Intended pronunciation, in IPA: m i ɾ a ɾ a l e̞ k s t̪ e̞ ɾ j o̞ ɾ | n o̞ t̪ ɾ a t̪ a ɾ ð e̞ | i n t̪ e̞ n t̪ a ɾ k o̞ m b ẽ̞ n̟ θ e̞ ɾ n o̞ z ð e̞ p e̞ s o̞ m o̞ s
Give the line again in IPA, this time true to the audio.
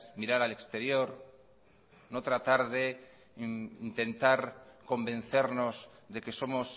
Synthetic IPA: m i ɾ a ɾ a l e̞ k s t̪ e̞ ɾ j o̞ ɾ | n o̞ t̪ ɾ a t̪ a ɾ ð e̞ | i n t̪ e̞ n t̪ a ɾ k o̞ m b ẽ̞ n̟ θ e̞ ɾ n o̞ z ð e̞ k e̞ s o̞ m o̞ s